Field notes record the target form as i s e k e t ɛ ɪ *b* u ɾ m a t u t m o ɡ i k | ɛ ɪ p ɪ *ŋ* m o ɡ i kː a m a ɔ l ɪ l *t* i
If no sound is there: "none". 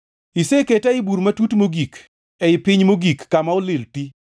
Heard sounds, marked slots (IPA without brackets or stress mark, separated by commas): b, ɲ, t